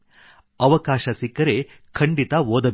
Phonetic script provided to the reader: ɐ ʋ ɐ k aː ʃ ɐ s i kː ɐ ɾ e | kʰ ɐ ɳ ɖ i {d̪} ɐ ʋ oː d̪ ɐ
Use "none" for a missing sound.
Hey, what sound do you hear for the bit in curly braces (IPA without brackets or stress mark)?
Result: t̪